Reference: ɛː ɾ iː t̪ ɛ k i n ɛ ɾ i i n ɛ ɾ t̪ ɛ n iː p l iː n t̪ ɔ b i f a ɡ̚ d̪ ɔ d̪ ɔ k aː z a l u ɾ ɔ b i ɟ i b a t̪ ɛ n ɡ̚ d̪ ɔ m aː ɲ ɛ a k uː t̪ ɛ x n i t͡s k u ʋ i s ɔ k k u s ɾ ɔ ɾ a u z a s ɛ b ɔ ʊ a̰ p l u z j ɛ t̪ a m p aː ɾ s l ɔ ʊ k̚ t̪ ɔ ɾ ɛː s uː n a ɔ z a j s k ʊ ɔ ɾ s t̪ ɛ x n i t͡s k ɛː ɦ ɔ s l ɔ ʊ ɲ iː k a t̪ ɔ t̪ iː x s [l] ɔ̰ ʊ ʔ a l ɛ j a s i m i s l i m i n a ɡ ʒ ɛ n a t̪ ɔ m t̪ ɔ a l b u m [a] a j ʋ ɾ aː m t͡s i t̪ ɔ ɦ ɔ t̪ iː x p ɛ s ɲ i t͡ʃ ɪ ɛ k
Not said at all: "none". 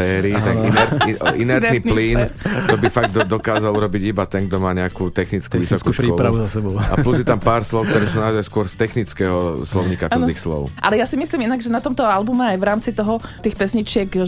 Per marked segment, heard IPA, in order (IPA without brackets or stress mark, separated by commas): l, ɛ